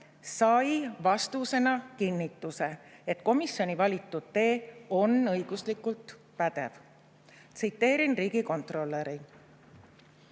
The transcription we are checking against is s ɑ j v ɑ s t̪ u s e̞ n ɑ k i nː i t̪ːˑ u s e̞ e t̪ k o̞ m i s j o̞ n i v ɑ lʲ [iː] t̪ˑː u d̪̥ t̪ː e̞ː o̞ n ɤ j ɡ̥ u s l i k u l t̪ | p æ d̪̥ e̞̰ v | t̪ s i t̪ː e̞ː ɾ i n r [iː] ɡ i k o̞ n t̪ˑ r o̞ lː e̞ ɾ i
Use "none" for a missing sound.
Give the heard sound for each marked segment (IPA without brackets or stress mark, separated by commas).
i, iː